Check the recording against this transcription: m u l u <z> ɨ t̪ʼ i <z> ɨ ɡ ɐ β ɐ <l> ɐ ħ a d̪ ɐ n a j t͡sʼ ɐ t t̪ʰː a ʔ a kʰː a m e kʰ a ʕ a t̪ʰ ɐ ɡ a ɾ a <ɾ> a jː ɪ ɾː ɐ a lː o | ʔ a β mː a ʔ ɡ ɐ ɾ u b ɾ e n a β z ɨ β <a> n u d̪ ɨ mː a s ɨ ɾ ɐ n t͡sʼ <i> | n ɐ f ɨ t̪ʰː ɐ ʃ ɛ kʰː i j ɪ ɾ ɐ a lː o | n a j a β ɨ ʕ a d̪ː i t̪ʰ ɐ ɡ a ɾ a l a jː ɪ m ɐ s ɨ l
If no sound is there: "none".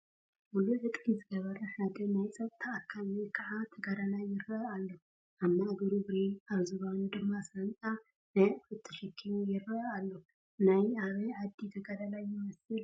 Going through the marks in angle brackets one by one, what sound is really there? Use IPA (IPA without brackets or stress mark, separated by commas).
ʕ, z, ɾ, l, a, a